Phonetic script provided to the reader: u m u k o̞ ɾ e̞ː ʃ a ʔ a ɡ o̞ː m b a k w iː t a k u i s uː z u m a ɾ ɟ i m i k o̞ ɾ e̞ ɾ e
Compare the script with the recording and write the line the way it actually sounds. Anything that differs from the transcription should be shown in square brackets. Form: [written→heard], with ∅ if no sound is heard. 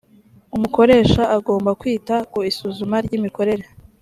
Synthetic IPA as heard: u m u k o̞ ɾ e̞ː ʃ a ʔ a ɡ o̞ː m b a k w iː t a k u i s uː z u m a ɾ ɟ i m i k o̞ ɾ e̞ ɾ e